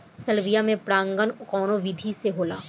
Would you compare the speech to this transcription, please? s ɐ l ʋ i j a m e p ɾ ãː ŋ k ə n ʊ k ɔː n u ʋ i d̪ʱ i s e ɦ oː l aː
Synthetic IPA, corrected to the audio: s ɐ l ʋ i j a m ẽ p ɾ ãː ŋ ɡ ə n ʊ k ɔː n o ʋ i d̪ʱ i s e ɦ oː l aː